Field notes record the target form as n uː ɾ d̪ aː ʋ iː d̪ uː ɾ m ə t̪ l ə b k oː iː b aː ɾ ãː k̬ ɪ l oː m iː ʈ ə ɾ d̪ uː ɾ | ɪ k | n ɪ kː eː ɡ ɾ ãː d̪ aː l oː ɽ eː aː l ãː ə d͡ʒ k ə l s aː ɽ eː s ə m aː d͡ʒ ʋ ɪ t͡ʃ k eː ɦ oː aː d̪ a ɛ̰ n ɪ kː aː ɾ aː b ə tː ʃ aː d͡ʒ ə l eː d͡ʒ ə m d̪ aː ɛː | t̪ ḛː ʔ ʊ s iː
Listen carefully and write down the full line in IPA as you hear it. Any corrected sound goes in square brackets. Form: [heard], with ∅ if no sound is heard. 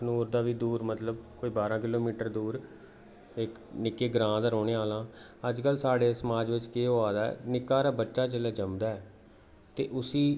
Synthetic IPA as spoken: n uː ɾ d̪ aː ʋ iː d̪ uː ɾ m ə t̪ l ə b k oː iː b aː ɾ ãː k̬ ɪ l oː m iː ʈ ə ɾ d̪ uː ɾ | ɪ k | n ɪ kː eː ɡ ɾ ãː d̪ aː [ɾ] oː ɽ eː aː l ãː ə d͡ʒ k ə l s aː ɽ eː s ə m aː d͡ʒ ʋ ɪ t͡ʃ k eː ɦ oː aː d̪ a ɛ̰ n ɪ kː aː ɾ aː b ə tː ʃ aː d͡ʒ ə l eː d͡ʒ ə m d̪ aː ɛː | t̪ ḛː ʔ ʊ s iː